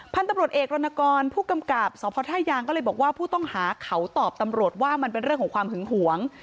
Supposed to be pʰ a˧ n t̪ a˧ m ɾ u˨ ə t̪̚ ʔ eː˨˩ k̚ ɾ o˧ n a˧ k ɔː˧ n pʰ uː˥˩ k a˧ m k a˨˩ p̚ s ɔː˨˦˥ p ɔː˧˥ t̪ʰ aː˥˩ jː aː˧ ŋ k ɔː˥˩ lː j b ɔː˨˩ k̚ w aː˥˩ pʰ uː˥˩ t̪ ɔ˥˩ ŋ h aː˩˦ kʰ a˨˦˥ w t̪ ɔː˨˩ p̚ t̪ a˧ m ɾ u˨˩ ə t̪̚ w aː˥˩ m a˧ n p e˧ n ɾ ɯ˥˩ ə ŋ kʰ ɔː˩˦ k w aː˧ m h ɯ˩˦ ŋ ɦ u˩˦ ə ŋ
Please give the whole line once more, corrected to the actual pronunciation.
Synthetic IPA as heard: pʰ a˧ n t̪ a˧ m ɾ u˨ ə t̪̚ ʔ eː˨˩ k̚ ɾ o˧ n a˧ k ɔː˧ n pʰ uː˥˩ k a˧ m k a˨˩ p̚ s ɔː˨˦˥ pʰ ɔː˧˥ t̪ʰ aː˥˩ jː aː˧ ŋ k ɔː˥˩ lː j b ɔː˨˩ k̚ w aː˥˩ pʰ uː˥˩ t̪ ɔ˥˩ ŋ h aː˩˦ kʰ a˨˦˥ w t̪ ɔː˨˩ p̚ t̪ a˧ m ɾ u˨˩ ə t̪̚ w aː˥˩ m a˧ n p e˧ n ɾ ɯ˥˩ ə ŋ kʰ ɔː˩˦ k w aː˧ m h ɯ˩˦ ŋ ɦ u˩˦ ə ŋ